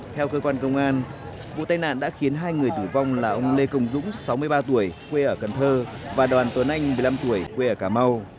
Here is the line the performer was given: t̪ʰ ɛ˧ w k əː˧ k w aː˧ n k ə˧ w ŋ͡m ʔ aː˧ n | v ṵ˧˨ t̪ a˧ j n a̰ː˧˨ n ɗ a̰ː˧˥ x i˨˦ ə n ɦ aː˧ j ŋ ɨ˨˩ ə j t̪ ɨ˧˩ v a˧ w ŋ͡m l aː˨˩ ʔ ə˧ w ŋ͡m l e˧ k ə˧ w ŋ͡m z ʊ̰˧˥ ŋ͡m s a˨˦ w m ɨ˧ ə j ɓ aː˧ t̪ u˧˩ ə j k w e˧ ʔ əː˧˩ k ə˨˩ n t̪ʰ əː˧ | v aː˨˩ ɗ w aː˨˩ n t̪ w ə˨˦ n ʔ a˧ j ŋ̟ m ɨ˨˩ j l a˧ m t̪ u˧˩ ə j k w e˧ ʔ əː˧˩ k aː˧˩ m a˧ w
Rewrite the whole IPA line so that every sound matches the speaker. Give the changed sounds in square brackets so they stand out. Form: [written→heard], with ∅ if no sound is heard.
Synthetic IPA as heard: t̪ʰ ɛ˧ w k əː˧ k w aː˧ n k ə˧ w ŋ͡m ʔ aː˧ n | v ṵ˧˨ t̪ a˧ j n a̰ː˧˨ n ɗ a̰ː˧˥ x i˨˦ ə n ɦ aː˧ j ŋ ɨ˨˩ ə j t̪ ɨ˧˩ v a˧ w ŋ͡m l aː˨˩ ʔ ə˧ w ŋ͡m l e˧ k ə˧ w ŋ͡m z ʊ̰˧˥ ŋ͡m s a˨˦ w m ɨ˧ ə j ɓ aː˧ t̪ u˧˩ ə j k w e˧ ʔ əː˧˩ k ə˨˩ n t̪ʰ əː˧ | v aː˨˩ ɗ w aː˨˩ n t̪ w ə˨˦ n ʔ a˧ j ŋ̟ m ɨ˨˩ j l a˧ m t̪ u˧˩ ə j k w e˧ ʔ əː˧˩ k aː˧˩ m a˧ w

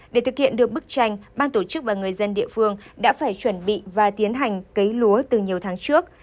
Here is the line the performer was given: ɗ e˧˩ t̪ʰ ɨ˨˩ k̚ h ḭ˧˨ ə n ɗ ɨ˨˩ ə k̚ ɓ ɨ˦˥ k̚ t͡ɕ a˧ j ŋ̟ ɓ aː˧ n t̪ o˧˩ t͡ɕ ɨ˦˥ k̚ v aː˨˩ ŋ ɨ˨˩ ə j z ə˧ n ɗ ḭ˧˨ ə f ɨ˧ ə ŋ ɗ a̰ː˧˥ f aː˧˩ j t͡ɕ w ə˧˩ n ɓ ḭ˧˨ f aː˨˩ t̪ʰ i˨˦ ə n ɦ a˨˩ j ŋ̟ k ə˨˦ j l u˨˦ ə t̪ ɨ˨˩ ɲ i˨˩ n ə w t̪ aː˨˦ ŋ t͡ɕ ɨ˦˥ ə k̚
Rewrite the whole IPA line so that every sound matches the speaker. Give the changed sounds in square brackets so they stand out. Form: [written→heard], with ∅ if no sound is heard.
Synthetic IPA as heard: ɗ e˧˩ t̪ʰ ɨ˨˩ k̚ h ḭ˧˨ ə n ɗ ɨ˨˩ ə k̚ ɓ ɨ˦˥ k̚ t͡ɕ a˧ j ŋ̟ ɓ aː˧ n t̪ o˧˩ t͡ɕ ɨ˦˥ k̚ v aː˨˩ ŋ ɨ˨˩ ə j z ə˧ n ɗ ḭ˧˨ ə f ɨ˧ ə ŋ ɗ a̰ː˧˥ f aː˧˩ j t͡ɕ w ə˧˩ n ɓ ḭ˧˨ [f→v] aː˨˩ [t̪ʰ→t̪] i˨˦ ə n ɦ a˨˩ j ŋ̟ k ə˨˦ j l u˨˦ ə t̪ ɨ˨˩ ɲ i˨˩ [n→∅] ə w [t̪→t̪ʰ] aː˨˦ ŋ t͡ɕ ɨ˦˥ ə k̚

